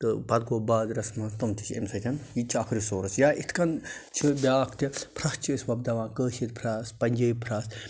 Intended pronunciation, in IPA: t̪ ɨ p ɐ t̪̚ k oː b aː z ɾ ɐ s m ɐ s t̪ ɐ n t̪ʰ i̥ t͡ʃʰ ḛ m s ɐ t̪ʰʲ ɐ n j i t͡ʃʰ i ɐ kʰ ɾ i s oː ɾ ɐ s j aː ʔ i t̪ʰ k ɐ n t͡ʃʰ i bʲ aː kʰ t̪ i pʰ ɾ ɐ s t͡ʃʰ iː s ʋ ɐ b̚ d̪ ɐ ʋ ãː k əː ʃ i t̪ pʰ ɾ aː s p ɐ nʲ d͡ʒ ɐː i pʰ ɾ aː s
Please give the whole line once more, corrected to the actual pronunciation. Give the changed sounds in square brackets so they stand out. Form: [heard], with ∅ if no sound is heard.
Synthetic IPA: t̪ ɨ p ɐ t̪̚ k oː b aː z ɾ ɐ s m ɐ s t̪ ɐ [m] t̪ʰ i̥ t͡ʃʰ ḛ m s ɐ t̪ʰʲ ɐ n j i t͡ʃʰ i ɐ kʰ ɾ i s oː ɾ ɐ s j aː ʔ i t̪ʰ k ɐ n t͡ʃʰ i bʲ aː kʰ t̪ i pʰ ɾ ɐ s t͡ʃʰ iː s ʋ ɐ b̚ d̪ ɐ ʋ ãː k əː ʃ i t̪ pʰ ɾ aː s p ɐ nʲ d͡ʒ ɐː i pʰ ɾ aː s